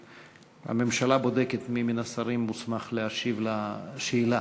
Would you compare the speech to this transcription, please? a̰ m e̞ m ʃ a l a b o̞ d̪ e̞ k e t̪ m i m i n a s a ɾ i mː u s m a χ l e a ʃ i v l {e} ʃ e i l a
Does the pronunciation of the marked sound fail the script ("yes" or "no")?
yes